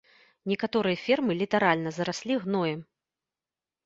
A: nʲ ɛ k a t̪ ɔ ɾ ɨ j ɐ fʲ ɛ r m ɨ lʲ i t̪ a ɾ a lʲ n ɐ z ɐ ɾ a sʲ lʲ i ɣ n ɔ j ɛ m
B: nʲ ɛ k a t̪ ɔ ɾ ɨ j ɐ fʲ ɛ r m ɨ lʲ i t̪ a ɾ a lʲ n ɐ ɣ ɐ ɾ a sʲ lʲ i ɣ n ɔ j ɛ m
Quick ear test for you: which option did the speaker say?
A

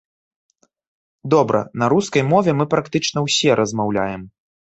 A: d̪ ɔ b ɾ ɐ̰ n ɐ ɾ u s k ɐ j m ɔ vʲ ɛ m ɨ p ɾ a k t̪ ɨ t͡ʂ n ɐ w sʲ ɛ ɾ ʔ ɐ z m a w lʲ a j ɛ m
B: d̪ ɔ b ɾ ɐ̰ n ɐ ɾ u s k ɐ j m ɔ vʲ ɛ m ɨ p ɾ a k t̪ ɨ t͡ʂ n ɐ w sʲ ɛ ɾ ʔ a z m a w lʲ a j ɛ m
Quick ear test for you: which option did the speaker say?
A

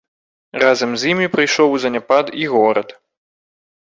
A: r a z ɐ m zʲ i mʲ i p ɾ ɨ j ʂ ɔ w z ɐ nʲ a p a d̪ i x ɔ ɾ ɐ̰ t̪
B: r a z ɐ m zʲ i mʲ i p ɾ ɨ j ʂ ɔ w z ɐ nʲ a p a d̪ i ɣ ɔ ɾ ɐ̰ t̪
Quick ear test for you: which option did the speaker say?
B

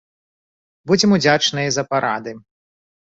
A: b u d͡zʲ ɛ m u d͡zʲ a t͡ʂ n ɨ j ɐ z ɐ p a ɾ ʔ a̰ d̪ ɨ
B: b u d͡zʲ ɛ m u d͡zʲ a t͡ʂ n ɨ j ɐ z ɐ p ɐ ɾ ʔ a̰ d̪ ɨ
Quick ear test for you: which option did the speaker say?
A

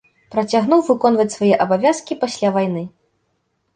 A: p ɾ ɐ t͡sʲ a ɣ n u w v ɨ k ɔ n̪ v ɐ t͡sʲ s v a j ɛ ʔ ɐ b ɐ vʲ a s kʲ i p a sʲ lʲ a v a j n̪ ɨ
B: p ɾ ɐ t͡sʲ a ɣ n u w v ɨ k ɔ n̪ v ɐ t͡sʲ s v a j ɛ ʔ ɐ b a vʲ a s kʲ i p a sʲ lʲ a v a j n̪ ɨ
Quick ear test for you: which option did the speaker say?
B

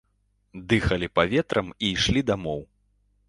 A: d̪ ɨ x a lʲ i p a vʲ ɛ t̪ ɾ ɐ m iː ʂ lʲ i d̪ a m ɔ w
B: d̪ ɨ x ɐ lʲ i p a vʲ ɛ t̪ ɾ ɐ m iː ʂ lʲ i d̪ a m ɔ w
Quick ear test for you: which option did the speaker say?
B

